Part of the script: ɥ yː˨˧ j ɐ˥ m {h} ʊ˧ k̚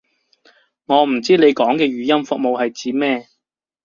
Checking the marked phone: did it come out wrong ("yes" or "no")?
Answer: yes